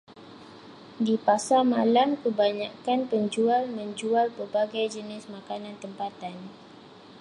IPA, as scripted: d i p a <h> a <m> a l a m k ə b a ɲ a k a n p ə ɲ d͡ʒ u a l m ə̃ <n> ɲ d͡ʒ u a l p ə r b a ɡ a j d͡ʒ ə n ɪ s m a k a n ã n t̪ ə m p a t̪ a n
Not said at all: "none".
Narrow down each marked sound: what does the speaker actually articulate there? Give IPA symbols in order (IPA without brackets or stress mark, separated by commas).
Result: s, m, none